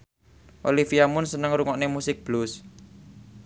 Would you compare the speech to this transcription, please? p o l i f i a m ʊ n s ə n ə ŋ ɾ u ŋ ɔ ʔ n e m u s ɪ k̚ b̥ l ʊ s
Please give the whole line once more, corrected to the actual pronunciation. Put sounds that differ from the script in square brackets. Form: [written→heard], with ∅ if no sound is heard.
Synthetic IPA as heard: [p→ʔ] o l i f i a m ʊ n s ə n ə ŋ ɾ u ŋ ɔ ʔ n e m u s ɪ k̚ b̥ l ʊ s